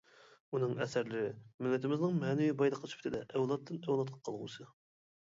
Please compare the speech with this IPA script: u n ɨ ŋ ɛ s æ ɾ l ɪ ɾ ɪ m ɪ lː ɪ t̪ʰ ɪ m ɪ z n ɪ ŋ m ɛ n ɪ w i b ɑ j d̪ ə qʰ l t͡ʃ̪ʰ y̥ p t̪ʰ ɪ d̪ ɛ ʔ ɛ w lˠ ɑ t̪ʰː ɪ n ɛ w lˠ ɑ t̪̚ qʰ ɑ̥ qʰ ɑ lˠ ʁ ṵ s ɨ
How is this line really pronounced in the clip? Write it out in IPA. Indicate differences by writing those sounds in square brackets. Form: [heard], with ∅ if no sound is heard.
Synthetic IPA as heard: u n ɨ ŋ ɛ s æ ɾ l ɪ ɾ ɪ m ɪ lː ɪ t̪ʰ ɪ m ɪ z n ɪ ŋ m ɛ n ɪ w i b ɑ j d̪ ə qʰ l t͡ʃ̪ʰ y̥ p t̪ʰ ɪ d̪ ɛ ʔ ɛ w lˠ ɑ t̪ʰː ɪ n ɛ w lˠ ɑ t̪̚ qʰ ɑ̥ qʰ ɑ lˠ ʁ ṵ s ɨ